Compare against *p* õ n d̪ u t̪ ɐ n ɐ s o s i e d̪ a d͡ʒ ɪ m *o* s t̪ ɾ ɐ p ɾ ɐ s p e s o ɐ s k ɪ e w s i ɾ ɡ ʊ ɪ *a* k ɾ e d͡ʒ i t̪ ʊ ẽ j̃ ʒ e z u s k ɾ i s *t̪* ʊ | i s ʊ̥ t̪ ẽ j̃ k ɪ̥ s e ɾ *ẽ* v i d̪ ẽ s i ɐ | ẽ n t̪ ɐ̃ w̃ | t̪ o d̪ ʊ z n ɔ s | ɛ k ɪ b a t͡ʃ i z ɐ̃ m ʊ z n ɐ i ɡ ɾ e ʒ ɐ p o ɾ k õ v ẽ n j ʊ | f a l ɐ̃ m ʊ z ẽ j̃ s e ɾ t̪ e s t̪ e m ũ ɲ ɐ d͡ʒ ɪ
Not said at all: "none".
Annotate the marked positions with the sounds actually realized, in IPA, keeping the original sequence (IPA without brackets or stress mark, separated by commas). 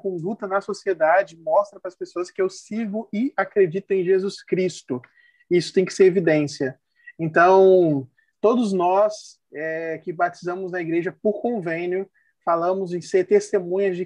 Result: k, ɔ, a, t̪, e